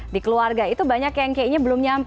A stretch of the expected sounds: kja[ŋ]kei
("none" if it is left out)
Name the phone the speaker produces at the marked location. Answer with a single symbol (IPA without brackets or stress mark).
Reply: ŋ